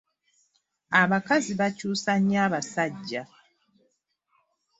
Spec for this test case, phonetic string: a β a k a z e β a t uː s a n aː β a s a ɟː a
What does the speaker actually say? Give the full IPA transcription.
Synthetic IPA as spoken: a β a k a z i β a c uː s a ɲ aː β a s a ɟː a